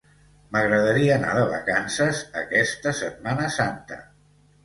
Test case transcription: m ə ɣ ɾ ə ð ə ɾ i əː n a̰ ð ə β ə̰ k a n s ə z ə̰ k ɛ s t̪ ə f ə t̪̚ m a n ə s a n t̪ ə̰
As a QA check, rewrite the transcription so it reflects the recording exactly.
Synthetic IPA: m ə ɣ ɾ ə ð ə ɾ i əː n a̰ ð ə β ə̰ k a n s ə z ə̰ k ɛ s t̪ ə s ə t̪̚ m a n ə s a n t̪ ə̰